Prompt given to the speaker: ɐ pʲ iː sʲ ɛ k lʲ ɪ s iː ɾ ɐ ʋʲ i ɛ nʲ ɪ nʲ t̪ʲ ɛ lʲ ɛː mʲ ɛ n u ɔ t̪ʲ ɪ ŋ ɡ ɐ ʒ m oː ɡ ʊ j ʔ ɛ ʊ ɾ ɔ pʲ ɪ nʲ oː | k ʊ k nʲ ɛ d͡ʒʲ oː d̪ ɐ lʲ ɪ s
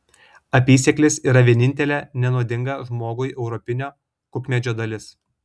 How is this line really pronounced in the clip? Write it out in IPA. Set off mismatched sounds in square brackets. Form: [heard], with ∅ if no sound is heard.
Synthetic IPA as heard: ɐ pʲ iː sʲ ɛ k lʲ ɪ s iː ɾ ɐ ʋʲ i ɛ nʲ ɪ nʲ t̪ʲ ɛ lʲ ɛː [nʲ] ɛ n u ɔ [d̪ʲ] ɪ ŋ ɡ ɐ ʒ m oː ɡ ʊ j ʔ ɛ ʊ ɾ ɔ pʲ ɪ nʲ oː | k ʊ k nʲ ɛ d͡ʒʲ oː d̪ ɐ lʲ ɪ s